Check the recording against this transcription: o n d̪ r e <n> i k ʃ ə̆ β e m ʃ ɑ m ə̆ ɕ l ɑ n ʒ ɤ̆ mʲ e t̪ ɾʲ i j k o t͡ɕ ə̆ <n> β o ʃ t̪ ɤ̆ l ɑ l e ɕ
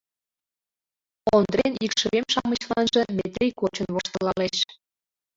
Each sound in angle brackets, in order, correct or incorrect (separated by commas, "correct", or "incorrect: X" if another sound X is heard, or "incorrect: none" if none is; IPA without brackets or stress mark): correct, correct